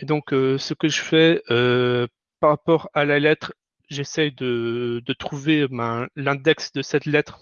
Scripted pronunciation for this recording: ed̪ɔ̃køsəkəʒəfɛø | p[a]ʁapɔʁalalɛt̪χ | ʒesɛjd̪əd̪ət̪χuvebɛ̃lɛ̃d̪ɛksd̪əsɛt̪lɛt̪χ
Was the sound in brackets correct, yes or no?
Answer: yes